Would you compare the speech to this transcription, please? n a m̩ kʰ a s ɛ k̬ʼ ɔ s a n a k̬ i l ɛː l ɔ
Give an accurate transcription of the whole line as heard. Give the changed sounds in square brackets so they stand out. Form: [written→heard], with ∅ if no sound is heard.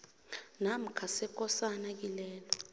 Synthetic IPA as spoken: n a m̩ kʰ a s ɛ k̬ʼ ɔ s a n a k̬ i l ɛː l ɔ